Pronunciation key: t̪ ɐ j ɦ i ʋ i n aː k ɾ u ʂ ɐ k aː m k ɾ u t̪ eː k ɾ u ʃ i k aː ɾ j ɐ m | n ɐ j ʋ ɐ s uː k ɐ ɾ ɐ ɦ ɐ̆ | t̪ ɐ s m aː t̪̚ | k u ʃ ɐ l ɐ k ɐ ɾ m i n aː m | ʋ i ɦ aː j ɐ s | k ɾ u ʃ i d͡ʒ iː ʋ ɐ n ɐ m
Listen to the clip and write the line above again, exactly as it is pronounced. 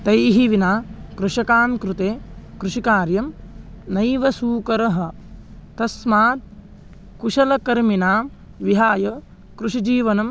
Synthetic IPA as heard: t̪ ɐ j ɦ i ʋ i n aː k ɾ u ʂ ɐ k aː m k ɾ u t̪ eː k ɾ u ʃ i k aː ɾ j ɐ m | n ɐ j ʋ ɐ s uː k ɐ ɾ ɐ ɦ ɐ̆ | t̪ ɐ s m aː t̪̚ | k u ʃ ɐ l ɐ k ɐ ɾ m i n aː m | ʋ i ɦ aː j ɐ | k ɾ u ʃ i d͡ʒ iː ʋ ɐ n ɐ m